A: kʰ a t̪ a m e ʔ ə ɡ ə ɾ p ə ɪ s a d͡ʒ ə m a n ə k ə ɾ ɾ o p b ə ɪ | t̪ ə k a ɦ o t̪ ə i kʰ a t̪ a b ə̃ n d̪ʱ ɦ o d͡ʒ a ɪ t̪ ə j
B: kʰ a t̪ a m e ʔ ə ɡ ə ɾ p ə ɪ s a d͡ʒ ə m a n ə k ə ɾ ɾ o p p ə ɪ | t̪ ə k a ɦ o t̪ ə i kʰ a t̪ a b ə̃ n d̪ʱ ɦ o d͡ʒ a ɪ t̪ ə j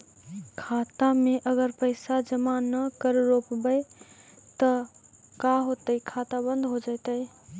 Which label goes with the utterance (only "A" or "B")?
A